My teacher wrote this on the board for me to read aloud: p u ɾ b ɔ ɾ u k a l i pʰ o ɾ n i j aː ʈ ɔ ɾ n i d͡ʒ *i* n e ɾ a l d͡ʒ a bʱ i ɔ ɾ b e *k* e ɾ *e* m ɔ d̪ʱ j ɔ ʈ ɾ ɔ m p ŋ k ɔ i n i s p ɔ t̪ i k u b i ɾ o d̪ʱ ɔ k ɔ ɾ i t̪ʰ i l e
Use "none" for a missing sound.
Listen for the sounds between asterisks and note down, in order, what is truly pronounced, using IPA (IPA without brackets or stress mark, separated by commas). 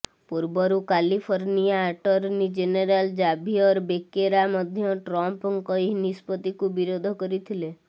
e, k, a